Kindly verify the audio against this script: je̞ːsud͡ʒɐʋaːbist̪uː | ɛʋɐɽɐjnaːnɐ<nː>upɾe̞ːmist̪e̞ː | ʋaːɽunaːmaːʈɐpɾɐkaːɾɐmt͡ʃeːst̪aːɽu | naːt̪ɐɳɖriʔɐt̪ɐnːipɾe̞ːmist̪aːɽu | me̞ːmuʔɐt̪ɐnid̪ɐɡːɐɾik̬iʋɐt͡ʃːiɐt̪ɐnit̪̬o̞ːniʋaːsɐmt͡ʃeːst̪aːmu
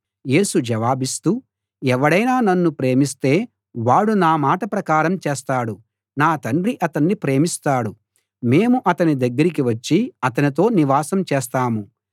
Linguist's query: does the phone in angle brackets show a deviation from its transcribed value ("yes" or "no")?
no